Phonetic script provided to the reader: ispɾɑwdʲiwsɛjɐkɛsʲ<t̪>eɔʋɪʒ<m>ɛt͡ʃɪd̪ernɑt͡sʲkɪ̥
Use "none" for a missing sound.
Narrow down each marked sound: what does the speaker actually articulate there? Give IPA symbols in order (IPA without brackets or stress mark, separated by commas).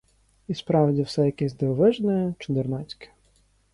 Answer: d̪, n